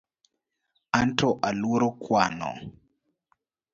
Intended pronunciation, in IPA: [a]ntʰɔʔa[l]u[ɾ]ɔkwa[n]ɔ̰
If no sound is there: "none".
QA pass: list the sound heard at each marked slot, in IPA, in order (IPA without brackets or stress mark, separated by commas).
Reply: a, l, ɾ, n